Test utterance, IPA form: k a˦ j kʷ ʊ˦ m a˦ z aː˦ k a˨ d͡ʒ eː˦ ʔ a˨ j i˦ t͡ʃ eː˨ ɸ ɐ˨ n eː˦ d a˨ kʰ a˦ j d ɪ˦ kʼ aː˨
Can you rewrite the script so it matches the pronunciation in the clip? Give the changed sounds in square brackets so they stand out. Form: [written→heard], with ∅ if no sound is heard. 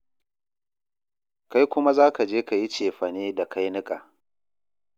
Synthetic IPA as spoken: k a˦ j kʷ ʊ˦ m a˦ z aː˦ k a˨ d͡ʒ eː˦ [ʔ→k] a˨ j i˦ t͡ʃ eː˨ ɸ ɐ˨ n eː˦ d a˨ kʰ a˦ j [d→n] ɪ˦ kʼ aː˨